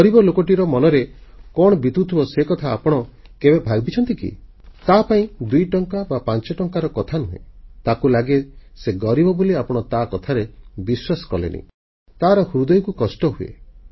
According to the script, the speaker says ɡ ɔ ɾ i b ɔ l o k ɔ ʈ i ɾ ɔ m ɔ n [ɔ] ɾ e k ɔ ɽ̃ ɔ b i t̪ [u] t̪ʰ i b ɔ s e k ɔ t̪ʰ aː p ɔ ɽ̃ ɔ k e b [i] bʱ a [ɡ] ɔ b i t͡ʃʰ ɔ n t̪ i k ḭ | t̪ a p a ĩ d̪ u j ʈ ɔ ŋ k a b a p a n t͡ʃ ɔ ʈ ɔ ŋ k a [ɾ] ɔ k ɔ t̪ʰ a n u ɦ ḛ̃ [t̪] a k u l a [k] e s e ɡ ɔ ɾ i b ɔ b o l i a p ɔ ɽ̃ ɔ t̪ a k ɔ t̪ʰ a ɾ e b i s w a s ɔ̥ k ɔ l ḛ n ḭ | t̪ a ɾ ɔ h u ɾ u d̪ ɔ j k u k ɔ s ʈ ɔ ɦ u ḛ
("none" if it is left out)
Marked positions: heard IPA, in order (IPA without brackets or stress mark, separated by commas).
ɔ, u, e, ɡ, ɾ, t̪, ɡ